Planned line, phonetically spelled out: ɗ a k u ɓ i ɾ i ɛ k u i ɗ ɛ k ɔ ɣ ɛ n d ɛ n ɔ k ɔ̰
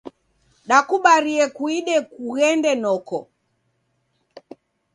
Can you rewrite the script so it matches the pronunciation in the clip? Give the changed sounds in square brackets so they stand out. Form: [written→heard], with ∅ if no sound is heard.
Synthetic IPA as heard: ɗ a k u ɓ [i→a] ɾ i ɛ k u i ɗ ɛ k [ɔ→u] ɣ ɛ n d ɛ n ɔ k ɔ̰